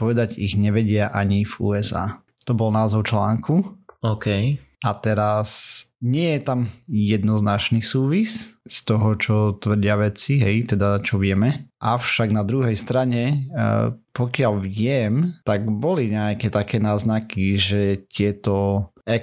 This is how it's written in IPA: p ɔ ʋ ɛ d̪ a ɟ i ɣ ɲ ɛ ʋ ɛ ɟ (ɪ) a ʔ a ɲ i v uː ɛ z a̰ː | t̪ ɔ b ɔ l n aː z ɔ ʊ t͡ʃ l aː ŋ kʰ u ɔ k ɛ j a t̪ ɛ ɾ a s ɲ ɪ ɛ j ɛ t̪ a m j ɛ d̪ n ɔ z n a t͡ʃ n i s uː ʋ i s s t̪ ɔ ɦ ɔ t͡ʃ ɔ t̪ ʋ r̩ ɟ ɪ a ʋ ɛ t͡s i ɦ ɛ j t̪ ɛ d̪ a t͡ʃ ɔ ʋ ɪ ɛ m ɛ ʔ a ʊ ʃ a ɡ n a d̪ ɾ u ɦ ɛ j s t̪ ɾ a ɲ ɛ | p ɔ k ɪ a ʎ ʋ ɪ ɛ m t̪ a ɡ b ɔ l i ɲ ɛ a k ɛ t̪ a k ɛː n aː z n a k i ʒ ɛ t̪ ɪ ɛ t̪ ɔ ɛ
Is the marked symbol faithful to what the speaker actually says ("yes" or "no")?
yes